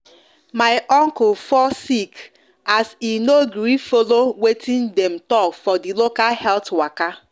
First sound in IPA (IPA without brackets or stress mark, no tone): m